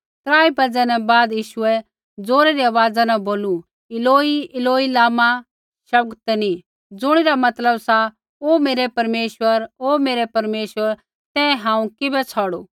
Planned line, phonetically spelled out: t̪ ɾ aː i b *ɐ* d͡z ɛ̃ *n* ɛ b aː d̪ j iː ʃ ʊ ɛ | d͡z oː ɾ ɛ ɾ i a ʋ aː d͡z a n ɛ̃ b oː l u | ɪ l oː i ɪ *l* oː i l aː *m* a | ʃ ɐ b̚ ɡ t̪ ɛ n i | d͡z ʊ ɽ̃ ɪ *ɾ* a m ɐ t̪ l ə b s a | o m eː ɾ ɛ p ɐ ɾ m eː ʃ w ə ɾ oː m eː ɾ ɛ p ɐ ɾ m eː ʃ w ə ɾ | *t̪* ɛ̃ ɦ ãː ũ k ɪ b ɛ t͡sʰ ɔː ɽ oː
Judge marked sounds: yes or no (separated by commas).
yes, yes, yes, yes, yes, yes